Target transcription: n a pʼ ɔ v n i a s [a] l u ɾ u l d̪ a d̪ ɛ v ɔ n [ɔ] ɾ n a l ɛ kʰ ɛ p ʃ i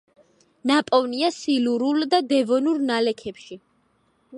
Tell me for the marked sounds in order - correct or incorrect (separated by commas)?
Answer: incorrect, incorrect